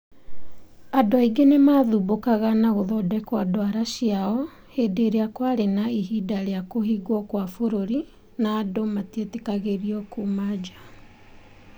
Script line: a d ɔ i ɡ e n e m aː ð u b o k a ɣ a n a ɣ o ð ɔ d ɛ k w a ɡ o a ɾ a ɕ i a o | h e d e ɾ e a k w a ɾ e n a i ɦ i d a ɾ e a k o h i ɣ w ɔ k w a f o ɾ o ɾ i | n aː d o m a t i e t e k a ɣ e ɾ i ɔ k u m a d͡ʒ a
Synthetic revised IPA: a d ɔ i ɡ e n e m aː ð u b o k a ɣ a n a ɣ o ð ɔ d ɛ k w a d o a ɾ a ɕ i a ɔ | h e d e ɾ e a k w a ɾ e n a i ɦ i d a ɾ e a k o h i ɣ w ɔ k w a f o ɾ o ɾ i | n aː d o m a t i e t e k a ɣ e ɾ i ɔ k u m a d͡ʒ a